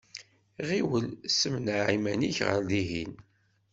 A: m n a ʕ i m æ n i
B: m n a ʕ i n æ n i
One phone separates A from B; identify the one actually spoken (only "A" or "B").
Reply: A